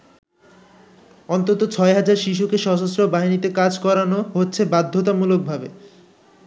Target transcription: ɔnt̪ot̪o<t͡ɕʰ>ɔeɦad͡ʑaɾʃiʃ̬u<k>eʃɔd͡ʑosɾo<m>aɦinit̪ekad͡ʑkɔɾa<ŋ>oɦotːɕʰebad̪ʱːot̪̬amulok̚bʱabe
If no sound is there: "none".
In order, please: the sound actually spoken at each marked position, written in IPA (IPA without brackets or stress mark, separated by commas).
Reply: t͡ɕʰ, k, b, n